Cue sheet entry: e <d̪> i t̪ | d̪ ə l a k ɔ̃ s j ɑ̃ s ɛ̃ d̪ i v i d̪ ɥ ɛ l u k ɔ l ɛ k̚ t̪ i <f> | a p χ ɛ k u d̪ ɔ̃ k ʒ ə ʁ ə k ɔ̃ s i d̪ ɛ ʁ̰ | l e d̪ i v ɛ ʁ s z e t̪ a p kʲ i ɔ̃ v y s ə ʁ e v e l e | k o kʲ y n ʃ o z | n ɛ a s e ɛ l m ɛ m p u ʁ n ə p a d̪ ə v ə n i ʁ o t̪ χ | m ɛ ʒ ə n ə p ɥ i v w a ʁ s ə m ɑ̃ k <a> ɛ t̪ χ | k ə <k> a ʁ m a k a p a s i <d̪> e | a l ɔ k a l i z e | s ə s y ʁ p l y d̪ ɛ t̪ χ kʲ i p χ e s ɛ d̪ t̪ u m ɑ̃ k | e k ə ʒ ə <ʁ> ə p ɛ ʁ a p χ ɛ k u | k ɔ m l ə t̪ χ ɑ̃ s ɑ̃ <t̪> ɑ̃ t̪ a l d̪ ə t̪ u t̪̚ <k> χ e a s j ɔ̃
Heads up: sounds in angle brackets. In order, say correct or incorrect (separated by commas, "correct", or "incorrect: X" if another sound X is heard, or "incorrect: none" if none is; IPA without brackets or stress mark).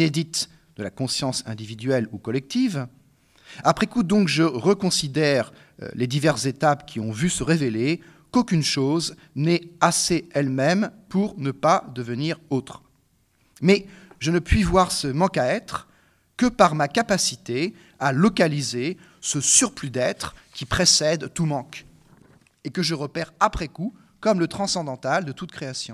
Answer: correct, incorrect: v, correct, incorrect: p, incorrect: t̪, correct, incorrect: d̪, correct